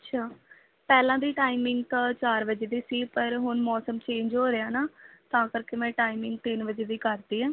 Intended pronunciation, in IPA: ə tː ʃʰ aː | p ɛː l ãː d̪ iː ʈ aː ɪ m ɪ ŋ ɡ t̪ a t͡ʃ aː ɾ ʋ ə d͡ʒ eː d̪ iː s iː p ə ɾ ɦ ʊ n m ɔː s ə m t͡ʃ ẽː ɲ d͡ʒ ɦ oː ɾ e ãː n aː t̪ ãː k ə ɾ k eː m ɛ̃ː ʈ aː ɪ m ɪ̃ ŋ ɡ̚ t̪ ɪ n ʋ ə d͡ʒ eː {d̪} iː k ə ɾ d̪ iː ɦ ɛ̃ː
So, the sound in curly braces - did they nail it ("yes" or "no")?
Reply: yes